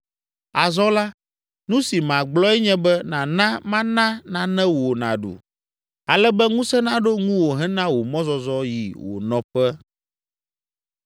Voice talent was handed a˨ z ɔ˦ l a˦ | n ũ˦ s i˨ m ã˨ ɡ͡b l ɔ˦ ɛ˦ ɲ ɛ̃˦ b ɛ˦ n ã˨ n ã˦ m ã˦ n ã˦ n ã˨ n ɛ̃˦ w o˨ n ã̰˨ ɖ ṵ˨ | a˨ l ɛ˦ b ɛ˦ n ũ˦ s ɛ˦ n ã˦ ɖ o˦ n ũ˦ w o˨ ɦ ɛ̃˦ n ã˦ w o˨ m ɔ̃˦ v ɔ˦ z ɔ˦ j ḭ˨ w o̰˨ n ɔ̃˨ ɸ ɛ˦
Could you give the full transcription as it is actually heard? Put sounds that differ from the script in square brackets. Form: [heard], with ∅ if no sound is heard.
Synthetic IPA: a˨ z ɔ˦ l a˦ | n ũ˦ s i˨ m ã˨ ɡ͡b l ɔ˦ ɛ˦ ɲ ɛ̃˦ b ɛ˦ n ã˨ n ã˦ m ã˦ n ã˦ n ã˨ n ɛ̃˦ w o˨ n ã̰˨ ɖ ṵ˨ | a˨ l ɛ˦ b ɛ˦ [ŋ] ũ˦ s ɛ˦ n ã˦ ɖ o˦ [ŋ] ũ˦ w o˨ ɦ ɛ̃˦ n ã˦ w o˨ m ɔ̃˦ [z] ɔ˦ z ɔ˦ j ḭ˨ w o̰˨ n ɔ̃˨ ɸ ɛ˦